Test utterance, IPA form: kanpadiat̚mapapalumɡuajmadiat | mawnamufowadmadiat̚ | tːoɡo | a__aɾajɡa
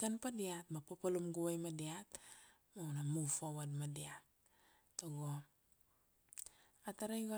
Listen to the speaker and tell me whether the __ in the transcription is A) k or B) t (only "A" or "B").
B